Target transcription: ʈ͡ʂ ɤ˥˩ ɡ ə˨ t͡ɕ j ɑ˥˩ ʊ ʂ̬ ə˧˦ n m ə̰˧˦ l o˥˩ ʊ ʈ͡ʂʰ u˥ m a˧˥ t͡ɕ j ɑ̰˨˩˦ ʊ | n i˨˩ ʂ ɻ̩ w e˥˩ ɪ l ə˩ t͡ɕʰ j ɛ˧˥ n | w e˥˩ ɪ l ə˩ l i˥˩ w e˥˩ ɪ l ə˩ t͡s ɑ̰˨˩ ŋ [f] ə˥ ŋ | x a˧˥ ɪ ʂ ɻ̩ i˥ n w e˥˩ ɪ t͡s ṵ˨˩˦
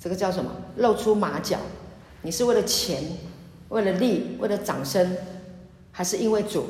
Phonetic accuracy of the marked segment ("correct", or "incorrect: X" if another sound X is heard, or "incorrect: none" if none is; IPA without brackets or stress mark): incorrect: ʂ